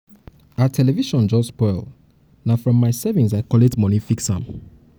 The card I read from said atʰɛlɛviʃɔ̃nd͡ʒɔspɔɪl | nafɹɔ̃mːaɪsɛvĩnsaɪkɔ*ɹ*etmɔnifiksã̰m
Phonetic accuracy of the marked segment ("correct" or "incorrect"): incorrect